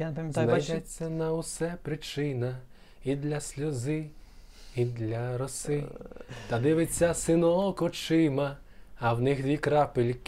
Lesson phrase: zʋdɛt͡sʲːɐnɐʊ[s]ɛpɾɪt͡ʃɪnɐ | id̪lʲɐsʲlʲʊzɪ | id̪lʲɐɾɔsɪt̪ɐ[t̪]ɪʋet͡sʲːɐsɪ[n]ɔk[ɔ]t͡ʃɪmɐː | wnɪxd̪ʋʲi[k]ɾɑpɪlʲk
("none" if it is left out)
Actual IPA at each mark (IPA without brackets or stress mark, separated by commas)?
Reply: s, d̪, n, ɔ, k